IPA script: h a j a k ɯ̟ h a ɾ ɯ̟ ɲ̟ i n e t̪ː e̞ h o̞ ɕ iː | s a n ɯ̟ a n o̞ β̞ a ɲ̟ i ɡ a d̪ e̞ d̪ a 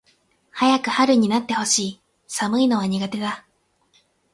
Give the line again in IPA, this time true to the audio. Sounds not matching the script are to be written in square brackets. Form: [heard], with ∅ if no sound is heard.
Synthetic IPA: h a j a k ɯ̟ h a ɾ ɯ̟ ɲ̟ i n [a] t̪ː e̞ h o̞ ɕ iː | s a [m] ɯ̟ [i] n o̞ β̞ a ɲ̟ i ɡ a [t̪] e̞ d̪ a